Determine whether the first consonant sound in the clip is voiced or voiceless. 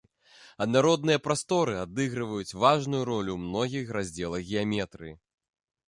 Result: voiced